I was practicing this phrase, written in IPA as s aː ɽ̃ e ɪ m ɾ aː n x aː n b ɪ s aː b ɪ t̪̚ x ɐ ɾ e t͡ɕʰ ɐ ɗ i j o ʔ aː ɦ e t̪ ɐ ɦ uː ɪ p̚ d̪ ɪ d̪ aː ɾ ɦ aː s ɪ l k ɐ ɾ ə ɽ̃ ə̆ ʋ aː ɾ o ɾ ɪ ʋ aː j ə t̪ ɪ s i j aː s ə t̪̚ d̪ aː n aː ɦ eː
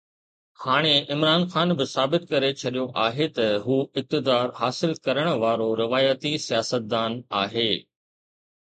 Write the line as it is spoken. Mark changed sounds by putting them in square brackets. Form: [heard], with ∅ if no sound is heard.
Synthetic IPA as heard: [h] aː ɽ̃ e ɪ m ɾ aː n x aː n b ɪ s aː b ɪ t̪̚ [k] ɐ ɾ e t͡ɕʰ ɐ ɗ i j o ʔ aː ɦ e t̪ ɐ ɦ uː ɪ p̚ [t̪] ɪ d̪ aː ɾ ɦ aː s ɪ l k ɐ ɾ ə ɽ̃ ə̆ ʋ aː ɾ o ɾ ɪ ʋ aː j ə t̪ [i] s i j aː s ə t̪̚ d̪ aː n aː ɦ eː